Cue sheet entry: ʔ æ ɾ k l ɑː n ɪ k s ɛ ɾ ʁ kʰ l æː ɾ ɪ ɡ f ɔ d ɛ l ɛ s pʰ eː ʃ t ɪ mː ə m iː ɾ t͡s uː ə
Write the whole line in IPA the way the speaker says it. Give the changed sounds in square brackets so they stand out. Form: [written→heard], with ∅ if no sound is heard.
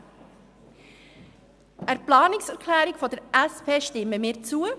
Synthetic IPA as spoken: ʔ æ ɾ [k→p] l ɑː n ɪ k s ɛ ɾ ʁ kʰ l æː ɾ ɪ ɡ f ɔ d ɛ [l→ɾ] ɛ s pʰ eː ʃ t ɪ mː ə m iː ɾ t͡s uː ə